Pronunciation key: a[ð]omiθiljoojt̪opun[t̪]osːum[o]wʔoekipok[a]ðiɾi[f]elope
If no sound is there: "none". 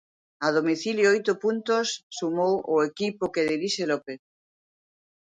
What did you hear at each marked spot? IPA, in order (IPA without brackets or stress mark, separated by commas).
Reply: ð, t̪, o, e, ʃ